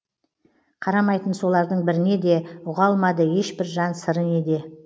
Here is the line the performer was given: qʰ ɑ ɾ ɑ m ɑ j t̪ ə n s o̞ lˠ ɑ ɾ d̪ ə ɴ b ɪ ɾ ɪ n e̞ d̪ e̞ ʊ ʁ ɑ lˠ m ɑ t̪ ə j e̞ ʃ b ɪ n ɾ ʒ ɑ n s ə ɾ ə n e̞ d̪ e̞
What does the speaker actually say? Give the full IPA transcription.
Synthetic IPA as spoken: qʰ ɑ ɾ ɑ m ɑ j t̪ ə n s o̞ lˠ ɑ ɾ d̪ ə ɴ b ɪ ɾ ɪ n e̞ d̪ e̞ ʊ ʁ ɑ lˠ m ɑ d̪ ə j e̞ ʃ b ɪ ɾ ʒ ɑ n s ə ɾ ə n e̞ d̪ e̞

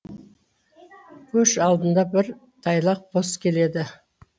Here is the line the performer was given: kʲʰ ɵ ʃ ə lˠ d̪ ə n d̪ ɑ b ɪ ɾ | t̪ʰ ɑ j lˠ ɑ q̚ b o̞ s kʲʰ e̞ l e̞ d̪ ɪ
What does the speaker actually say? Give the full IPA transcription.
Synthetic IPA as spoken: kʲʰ ɵ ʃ ɑ lˠ d̪ ə n d̪ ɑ b ɪ ɾ | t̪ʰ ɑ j lˠ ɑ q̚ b o̞ s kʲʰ e̞ l e̞ d̪ ɪ

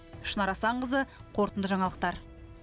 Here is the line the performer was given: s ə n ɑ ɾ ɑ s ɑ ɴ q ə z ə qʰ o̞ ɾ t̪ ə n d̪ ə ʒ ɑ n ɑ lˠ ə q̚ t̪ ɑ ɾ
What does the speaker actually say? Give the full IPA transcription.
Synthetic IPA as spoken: ʃ ə n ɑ ɾ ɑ s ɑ ɴ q ə z ə qʰ o̞ ɾ t̪ ə n d̪ ə ʒ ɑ ɴ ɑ lˠ ə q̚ t̪ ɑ ɾ

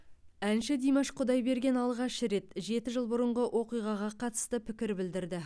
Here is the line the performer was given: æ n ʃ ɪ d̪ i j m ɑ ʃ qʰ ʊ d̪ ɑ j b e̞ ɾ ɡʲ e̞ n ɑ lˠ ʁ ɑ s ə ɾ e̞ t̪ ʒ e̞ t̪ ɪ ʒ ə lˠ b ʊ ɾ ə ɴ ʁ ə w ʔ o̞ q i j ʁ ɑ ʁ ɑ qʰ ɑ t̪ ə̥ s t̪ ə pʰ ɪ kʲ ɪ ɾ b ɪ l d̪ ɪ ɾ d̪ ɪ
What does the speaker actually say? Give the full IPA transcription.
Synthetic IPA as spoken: æ n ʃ ɪ d̪ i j m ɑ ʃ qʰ ʊ d̪ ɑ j b e̞ ɾ ɡʲ e̞ n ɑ lˠ ʁ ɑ ʃ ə ɾ e̞ t̪ ʒ e̞ t̪ ɪ ʒ ə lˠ b ʊ ɾ ə ɴ ʁ ə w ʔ o̞ q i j ʁ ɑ ʁ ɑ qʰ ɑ t̪ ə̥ s t̪ ə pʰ ɪ kʲ ɪ ɾ b ɪ l d̪ ɪ ɾ d̪ ɪ

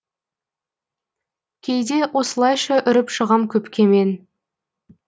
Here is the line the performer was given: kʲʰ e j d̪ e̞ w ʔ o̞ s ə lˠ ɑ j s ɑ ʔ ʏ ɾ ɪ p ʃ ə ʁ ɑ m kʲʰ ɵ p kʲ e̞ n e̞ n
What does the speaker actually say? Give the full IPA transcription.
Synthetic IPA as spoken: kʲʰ e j d̪ e̞ w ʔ o̞ s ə lˠ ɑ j ʃ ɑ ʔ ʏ ɾ ɪ p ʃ ə ʁ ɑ m kʲʰ ɵ p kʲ e̞ m e̞ n

